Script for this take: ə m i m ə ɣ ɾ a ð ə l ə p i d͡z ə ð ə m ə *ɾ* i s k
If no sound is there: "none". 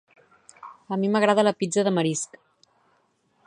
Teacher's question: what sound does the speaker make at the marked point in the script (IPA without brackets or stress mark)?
ɾ